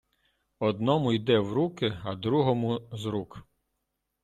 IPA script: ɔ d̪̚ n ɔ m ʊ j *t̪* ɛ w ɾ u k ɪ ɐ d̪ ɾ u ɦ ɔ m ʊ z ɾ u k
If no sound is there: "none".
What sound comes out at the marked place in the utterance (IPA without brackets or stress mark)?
d̪